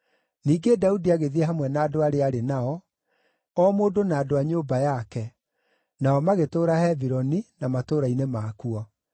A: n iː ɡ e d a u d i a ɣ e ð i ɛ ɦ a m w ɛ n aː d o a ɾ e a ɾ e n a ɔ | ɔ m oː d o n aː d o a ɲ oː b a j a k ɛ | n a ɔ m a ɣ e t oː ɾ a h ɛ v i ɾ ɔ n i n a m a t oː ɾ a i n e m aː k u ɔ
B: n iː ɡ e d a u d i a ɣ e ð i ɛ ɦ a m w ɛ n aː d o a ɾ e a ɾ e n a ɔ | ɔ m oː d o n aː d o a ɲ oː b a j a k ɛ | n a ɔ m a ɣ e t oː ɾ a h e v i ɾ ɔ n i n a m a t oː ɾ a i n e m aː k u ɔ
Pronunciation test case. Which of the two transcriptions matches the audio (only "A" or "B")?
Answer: A